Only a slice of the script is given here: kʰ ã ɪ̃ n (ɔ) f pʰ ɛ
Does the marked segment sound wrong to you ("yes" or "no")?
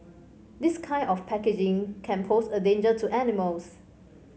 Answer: no